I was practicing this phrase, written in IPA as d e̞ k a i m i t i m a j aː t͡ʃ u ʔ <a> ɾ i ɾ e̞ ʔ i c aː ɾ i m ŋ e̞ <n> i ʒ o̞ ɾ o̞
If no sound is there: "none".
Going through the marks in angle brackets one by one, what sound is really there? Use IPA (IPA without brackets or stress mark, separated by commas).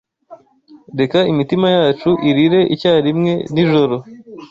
i, n